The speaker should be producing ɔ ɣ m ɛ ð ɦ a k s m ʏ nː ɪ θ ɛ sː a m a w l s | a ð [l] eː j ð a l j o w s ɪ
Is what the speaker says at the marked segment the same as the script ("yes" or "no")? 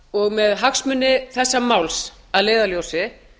yes